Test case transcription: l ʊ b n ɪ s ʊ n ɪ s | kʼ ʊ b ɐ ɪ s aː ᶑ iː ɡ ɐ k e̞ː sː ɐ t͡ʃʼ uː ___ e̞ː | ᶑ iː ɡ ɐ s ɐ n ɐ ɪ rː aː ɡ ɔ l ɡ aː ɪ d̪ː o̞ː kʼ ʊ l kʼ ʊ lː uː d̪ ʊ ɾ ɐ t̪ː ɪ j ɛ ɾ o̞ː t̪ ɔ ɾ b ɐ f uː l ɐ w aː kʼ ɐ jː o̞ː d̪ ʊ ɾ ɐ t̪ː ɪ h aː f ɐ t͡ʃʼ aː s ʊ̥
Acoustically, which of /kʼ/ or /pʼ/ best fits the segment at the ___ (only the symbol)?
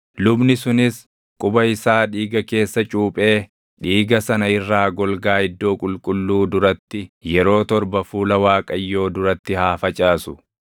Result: pʼ